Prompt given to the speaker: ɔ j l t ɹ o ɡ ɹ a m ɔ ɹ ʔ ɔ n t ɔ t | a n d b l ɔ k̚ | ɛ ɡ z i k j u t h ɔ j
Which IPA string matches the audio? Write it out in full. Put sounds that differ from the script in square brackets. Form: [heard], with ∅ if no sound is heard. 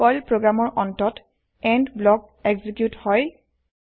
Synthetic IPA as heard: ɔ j l [p] ɹ o ɡ ɹ a m ɔ ɹ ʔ ɔ n t ɔ t | [ɛ] n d b l ɔ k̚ | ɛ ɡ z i k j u t h ɔ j